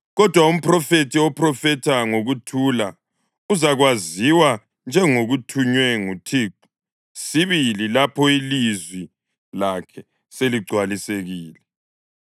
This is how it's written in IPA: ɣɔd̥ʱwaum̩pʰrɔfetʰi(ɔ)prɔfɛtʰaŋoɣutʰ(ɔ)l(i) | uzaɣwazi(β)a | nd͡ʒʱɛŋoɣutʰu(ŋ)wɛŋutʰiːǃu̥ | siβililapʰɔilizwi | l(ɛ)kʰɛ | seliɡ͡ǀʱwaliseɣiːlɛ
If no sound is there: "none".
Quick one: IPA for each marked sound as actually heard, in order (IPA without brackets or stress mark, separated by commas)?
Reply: ɔ, u, a, w, ɲ, a